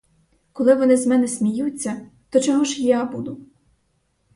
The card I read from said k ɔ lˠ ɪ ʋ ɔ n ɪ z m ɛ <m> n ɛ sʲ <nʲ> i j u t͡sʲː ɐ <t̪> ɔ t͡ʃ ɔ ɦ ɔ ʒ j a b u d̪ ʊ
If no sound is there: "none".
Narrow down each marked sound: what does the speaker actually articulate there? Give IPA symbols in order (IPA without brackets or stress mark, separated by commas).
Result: none, mʲ, t̪